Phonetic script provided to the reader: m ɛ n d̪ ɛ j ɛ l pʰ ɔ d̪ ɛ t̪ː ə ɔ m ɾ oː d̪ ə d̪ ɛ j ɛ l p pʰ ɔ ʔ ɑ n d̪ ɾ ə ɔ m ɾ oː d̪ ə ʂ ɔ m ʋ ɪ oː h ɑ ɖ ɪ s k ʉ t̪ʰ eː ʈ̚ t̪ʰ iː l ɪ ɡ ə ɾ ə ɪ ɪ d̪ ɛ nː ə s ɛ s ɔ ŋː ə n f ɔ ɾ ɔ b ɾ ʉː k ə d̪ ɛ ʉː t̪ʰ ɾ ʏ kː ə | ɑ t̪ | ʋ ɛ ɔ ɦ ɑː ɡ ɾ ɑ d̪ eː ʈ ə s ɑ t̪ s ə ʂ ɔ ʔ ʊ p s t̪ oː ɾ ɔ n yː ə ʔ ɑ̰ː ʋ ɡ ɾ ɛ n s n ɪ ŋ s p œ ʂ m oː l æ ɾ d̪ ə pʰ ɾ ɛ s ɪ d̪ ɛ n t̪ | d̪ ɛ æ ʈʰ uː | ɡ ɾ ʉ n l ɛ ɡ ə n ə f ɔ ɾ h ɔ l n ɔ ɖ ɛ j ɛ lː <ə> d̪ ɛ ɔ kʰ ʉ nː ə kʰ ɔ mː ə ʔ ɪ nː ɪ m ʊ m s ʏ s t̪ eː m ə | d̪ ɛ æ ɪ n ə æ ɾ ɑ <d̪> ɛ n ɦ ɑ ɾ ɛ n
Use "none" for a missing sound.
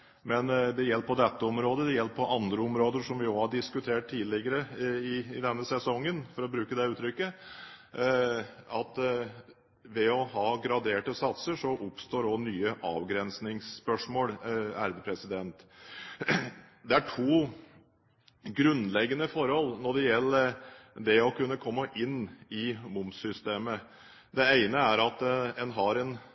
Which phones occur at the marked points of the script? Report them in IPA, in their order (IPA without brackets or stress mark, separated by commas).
ə, t̪